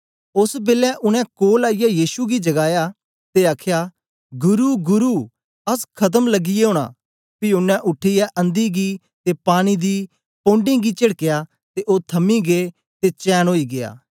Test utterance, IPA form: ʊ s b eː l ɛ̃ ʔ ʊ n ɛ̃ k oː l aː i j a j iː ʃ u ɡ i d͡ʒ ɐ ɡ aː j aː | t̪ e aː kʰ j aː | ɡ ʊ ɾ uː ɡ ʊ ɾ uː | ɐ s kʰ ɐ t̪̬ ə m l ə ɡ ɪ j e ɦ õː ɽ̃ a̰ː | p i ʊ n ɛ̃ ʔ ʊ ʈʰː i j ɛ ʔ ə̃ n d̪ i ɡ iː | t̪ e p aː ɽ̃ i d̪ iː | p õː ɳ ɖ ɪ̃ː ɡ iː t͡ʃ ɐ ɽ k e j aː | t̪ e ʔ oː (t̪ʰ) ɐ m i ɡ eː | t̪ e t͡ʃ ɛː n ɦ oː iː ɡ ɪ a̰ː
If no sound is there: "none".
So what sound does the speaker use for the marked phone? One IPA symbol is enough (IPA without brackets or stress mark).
t̪ʰ